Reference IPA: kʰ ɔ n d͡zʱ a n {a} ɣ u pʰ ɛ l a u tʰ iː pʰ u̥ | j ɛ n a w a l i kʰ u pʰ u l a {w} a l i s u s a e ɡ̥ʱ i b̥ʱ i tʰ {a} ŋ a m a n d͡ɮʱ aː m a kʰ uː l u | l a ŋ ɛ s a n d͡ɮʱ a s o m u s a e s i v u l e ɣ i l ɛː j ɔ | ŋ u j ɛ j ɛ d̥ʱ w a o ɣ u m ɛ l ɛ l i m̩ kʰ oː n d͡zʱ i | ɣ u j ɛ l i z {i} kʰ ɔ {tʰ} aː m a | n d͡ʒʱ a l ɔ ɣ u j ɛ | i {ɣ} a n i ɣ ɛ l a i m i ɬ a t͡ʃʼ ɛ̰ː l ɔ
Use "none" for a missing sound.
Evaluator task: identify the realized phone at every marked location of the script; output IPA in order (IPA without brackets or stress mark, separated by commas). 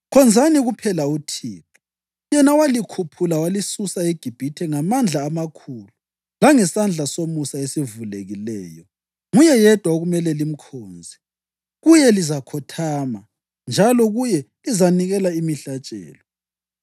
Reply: i, w, ɛ, a, tʰ, z